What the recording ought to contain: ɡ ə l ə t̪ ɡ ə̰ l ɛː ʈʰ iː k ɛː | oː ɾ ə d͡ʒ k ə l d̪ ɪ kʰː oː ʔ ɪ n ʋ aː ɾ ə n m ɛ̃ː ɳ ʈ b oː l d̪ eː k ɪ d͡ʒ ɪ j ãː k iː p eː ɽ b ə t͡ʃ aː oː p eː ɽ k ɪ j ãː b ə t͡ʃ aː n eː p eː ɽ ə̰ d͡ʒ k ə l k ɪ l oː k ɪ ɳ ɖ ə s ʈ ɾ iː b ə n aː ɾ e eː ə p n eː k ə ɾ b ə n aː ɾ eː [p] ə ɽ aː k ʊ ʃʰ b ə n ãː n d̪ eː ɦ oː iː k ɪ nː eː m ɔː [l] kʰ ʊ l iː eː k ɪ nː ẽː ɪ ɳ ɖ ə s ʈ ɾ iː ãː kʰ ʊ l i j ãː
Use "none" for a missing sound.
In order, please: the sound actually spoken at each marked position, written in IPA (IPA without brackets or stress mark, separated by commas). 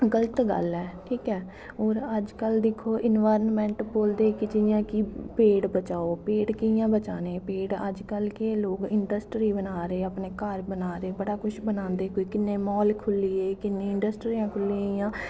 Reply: b, l